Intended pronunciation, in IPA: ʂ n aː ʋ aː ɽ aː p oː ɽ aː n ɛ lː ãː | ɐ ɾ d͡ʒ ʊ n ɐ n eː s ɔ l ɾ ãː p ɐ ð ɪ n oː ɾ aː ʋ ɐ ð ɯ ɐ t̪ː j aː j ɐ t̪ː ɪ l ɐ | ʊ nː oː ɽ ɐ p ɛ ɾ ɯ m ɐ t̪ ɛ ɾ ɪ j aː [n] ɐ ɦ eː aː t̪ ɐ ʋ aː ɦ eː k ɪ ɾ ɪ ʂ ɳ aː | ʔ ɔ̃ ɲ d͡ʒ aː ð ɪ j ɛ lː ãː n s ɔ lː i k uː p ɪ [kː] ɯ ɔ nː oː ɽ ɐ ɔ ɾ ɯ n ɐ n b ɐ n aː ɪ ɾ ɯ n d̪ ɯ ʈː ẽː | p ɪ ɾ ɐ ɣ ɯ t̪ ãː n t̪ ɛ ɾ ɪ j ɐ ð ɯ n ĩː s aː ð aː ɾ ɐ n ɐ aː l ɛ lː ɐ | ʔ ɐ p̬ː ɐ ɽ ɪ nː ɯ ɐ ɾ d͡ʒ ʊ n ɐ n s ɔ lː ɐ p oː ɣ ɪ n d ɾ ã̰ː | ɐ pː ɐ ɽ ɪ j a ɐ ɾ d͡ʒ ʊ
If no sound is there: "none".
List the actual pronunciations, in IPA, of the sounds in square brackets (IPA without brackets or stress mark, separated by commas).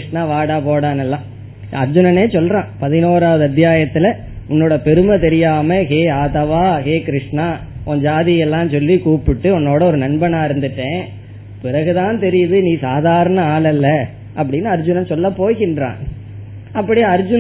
m, ʈː